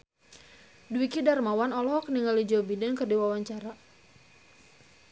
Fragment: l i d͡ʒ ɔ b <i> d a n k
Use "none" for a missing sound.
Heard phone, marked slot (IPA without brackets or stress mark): i